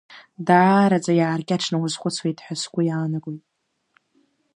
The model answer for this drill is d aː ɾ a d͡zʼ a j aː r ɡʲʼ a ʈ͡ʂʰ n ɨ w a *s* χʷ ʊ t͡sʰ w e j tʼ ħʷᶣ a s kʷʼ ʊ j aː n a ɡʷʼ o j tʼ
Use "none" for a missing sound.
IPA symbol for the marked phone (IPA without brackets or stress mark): z